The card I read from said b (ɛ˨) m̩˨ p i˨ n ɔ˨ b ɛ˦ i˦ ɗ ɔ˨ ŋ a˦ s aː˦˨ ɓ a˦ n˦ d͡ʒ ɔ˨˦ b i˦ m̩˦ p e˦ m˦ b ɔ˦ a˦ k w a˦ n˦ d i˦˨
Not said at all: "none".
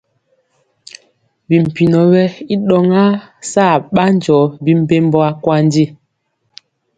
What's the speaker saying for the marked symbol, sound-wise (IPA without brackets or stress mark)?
i˨